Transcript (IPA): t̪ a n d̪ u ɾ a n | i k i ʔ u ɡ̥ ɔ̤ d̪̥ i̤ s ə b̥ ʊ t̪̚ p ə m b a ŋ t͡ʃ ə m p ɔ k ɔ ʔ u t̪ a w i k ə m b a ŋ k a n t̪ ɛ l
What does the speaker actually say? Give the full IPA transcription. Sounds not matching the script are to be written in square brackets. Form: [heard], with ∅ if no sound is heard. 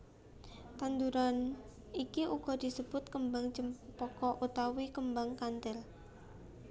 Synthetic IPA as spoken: t̪ a n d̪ u ɾ a n | i k i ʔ u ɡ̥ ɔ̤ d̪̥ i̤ s ə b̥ ʊ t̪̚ [k] ə m b a ŋ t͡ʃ ə m p ɔ k ɔ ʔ u t̪ a w i k ə m b a ŋ k a n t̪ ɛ l

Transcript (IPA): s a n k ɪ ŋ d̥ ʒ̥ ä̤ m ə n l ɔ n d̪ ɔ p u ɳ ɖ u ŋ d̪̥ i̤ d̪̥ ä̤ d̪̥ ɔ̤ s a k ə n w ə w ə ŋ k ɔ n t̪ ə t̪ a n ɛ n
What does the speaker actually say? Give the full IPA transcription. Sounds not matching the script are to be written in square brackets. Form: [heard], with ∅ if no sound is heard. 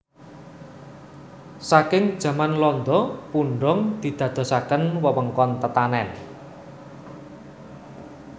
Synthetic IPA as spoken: s a [∅] k ɪ ŋ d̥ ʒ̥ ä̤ m [a] n l ɔ n d̪ ɔ p u ɳ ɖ [ɔ] ŋ d̪̥ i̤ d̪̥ ä̤ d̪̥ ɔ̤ s a k ə n w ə w ə ŋ k ɔ n t̪ ə t̪ a n ɛ n

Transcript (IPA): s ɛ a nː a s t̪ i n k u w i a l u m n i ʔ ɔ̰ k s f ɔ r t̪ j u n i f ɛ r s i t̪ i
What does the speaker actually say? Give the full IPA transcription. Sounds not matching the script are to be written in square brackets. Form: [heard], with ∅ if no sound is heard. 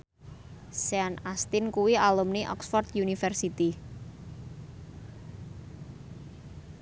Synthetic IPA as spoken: s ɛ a [n] a s t̪ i n k u w i a l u m n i ʔ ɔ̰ k s f ɔ r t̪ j u n i f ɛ r s i t̪ i

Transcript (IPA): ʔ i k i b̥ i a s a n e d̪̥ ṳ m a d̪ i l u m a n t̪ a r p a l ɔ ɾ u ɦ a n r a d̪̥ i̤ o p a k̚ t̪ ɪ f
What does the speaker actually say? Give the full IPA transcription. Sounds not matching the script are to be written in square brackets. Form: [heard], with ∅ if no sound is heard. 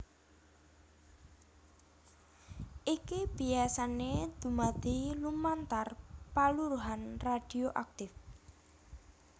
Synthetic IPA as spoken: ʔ i k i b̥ i a s a n e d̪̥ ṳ m a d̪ i l u m a n t̪ a r p a l [u] ɾ u ɦ a n r a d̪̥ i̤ o [ʔ] a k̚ t̪ ɪ f

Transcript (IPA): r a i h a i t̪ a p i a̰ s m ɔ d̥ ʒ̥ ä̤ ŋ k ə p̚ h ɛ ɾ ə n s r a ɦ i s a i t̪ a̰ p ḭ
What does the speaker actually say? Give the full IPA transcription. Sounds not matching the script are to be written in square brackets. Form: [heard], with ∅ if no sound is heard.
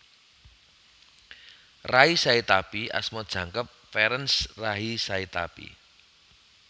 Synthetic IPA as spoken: r a i [s] a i t̪ a p i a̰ s m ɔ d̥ ʒ̥ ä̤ ŋ k ə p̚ [f] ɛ ɾ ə n s r a ɦ i s a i t̪ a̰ p ḭ

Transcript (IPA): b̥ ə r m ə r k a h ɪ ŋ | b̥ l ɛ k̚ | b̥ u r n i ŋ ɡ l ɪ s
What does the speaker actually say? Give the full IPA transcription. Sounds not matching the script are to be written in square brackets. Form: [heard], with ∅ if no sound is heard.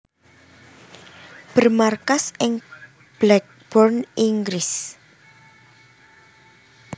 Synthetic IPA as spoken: b̥ ə r m [a] r k a [s] ɪ ŋ | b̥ l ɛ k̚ | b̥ [ɔ] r n i ŋ ɡ [ɾ] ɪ s

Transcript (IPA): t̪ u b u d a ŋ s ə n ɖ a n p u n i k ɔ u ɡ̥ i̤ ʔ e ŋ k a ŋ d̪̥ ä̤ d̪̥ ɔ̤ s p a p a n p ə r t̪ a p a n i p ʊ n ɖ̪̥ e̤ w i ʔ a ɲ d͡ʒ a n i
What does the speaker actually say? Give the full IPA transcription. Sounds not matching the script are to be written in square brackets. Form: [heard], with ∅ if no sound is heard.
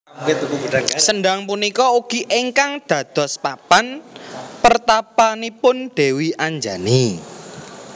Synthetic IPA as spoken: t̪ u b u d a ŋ s ə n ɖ a [ŋ] p u n i k ɔ u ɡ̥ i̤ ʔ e ŋ k a ŋ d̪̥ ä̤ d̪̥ ɔ̤ s p a p a n p ə r t̪ a p a n i p ʊ n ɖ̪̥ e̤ w i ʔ a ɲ d͡ʒ a n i

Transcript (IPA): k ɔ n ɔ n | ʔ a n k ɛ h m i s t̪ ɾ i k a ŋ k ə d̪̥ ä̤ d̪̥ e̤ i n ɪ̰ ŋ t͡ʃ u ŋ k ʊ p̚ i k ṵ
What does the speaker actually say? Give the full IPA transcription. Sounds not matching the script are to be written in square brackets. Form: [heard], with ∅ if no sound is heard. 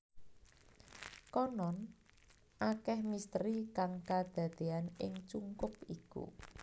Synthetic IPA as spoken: k ɔ n ɔ n | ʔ a [∅] k ɛ h m i s t̪ ɾ i k a ŋ k [a] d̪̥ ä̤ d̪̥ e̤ [a] n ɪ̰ ŋ t͡ʃ u ŋ k ʊ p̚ i k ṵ

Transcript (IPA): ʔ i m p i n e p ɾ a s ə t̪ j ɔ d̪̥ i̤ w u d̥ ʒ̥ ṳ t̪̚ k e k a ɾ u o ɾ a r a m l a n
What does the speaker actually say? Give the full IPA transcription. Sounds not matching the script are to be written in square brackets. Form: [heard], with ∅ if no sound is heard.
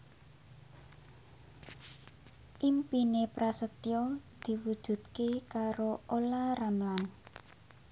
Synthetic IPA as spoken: ʔ i m p i n e p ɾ a s ə t̪ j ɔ d̪̥ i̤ w u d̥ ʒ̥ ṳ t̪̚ k e k a ɾ [o] o [l] a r a m l a n

